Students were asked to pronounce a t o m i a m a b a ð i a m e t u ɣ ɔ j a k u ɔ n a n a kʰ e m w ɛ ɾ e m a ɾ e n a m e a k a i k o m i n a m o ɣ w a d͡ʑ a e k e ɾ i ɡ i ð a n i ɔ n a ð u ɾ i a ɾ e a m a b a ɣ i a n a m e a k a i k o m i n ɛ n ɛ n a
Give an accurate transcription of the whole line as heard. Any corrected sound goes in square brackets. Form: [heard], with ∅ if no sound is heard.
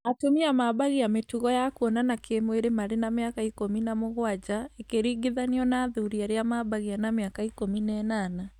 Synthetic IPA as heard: a t o m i a m a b a [ɣ] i a m e t u ɣ ɔ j a k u ɔ n a n a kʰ e m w [e] ɾ e m a ɾ e n a m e a k a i k o m i n a m o ɣ w a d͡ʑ a e k e ɾ i ɡ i ð a n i ɔ n a ð u ɾ i a ɾ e a m a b a ɣ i a n a m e a k a i k o m i n ɛ n [a] n a